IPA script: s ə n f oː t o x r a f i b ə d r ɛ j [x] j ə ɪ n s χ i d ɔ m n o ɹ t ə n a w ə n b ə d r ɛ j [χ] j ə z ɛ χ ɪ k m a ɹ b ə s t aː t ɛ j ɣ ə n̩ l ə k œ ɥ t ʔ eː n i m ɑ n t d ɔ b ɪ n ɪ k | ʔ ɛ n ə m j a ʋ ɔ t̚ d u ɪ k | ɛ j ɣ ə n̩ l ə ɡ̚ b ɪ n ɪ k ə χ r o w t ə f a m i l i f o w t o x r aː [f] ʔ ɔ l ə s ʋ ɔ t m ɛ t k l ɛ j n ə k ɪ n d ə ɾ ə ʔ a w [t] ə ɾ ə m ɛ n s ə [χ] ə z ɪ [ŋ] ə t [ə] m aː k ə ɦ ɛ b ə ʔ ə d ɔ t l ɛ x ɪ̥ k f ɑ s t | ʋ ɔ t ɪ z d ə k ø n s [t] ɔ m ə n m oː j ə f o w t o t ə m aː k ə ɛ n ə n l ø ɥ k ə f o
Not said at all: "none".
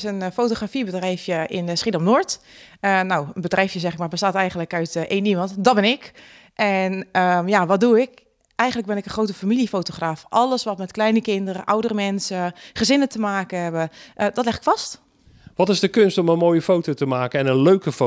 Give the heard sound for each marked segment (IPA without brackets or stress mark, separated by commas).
f, f, f, d, χ, n, ə, t